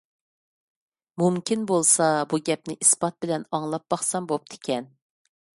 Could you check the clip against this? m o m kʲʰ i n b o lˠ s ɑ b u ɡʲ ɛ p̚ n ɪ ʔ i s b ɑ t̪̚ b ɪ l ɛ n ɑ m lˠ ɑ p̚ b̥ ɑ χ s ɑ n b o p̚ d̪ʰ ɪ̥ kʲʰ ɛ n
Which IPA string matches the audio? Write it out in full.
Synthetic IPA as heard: m u m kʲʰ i n b o lˠ s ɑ b u ɡʲ ɛ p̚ n ɪ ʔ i s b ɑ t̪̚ b ɪ l ɛ n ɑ ŋ lˠ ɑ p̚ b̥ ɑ χ s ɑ m b o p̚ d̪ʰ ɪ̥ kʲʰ ɛ n

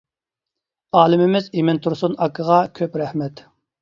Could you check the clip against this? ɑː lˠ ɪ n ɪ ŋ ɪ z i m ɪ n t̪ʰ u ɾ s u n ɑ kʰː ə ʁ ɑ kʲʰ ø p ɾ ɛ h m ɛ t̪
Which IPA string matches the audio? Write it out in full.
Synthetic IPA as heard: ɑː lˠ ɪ m ɪ m ɪ z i m ɪ n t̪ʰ u ɾ s u n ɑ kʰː ə ʁ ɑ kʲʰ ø p ɾ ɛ h m ɛ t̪

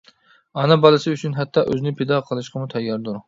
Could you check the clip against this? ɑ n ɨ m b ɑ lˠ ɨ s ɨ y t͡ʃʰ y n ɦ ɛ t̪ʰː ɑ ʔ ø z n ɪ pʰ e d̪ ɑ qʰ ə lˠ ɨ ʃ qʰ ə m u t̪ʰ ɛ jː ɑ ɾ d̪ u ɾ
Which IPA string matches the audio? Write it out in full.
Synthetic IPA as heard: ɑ n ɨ b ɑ lˠ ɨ s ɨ y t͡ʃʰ y n ɦ ɛ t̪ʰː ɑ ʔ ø z n ɪ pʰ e d̪ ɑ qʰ ə lˠ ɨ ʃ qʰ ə m u t̪ʰ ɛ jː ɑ ɾ d̪ u ɾ

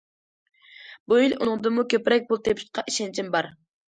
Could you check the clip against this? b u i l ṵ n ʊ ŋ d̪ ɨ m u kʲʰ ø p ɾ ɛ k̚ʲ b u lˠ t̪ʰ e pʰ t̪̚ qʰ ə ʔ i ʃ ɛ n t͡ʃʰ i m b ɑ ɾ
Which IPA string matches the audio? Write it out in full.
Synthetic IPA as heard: b u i l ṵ n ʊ ŋ d̪ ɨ m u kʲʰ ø p ɾ ɛ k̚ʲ b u lˠ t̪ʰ e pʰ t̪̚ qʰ ɑ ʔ i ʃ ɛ n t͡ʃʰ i m b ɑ ɾ

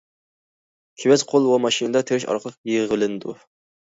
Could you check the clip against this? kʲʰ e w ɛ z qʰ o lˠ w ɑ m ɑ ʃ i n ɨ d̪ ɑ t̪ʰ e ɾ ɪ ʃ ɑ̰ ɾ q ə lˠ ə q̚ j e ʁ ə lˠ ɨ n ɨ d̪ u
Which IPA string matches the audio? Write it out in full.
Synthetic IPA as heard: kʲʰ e w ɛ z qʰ o lˠ w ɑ m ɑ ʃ i n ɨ d̪ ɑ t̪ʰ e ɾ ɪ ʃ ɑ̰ ɾ q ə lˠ ə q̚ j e ʁ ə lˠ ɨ n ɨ d̪ u

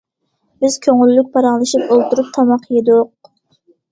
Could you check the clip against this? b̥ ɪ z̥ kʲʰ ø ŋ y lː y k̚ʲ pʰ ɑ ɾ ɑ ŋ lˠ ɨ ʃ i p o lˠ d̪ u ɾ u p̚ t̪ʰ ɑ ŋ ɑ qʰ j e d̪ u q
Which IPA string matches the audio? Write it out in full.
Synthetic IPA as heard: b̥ ɪ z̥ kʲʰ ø ŋ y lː y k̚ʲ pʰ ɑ ɾ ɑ ŋ lˠ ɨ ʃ i p o lˠ t̪ u ɾ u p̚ t̪ʰ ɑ m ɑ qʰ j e d̪ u q

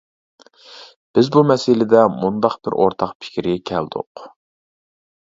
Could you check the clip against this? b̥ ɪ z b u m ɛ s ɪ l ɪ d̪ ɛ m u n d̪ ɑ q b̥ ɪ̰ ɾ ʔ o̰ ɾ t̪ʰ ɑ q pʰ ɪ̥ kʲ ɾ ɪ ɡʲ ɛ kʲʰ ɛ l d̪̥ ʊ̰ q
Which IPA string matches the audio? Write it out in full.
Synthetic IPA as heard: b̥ ɪ z b u m ɛ s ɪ l ɪ d̪ ɛ m u n d̪ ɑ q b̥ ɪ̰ ɾ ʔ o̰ ɾ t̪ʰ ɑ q pʰ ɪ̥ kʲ ɾ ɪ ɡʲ ɛ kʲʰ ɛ l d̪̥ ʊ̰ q

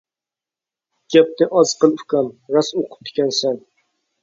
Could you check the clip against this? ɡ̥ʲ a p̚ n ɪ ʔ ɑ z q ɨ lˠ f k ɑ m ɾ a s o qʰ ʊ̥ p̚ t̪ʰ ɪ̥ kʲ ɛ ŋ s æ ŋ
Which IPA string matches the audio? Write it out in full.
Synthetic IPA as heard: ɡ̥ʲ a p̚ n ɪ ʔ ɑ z q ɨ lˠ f k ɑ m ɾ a s o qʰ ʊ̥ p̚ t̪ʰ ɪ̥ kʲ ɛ n s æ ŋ

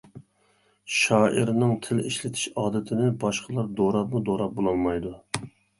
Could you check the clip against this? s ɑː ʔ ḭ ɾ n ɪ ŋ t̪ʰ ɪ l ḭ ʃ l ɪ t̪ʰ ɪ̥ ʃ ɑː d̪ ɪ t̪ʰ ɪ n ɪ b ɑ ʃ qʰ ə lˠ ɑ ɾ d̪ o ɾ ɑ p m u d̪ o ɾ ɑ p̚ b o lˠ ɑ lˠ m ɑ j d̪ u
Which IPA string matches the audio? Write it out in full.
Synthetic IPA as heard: ʃ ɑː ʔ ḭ ɾ n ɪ ŋ t̪ʰ ɪ l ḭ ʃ l ɪ t̪ʰ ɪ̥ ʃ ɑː d̪ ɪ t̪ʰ ɪ n ɪ b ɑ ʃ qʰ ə lˠ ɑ ɾ d̪ o ɾ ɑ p m u d̪ o ɾ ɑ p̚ b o lˠ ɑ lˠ m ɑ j d̪ u

